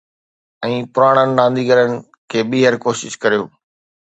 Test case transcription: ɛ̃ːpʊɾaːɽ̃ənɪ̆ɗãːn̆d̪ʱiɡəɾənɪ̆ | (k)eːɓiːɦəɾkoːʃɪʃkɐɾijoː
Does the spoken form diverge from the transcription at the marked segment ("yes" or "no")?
yes